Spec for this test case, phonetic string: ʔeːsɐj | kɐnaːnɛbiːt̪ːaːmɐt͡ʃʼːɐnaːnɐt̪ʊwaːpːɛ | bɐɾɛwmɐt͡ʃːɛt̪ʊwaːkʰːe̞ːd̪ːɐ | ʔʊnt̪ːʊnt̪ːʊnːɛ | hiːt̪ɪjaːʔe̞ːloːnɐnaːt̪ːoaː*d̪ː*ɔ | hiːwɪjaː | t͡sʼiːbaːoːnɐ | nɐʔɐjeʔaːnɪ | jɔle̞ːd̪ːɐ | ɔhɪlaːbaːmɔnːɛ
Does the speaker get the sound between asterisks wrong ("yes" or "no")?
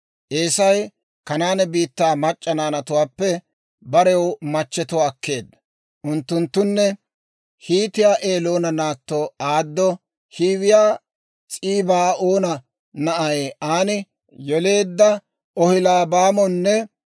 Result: no